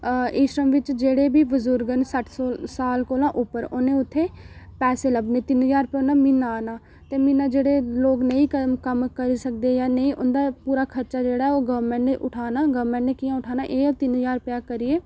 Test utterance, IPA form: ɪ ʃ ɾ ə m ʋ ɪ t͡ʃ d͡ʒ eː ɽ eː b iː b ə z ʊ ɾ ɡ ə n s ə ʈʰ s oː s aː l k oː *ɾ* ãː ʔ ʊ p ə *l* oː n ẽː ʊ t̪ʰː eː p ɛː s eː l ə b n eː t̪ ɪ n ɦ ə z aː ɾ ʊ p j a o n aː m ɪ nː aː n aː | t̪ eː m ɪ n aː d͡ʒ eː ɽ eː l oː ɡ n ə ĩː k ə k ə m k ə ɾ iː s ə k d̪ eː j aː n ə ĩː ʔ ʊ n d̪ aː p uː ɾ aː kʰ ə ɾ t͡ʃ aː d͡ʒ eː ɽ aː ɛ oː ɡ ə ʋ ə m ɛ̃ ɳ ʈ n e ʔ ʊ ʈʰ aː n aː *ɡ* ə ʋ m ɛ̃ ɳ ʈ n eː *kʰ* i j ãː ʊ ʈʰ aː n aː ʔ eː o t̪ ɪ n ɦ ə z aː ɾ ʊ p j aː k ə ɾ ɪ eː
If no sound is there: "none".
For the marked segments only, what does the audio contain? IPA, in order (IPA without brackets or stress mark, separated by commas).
l, ɾ, ɡ, k